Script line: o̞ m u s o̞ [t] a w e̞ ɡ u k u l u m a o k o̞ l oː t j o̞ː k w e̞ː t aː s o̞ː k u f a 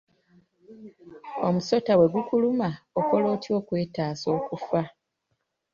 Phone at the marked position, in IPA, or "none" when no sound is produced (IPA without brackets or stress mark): t